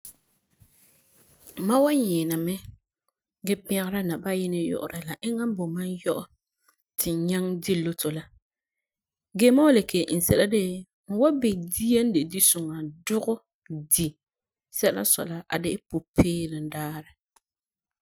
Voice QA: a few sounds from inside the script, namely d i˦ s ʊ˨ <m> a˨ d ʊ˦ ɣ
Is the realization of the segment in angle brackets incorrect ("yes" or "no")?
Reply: yes